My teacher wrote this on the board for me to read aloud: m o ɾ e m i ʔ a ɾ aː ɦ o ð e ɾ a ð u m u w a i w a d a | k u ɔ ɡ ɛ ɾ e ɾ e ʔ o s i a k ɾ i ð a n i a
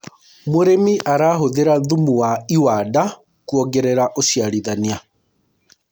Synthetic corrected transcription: m o ɾ e m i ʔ a ɾ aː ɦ o ð e ɾ a ð u m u w a i w a d a | k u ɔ ɡ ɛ ɾ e ɾ a ʔ o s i a ɾ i ð a n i a